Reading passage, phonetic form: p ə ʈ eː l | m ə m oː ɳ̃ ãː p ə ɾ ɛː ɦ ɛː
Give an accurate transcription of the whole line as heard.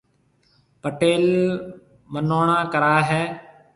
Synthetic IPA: p ə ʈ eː l | m ə n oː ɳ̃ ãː k ə ɾ aː ɦ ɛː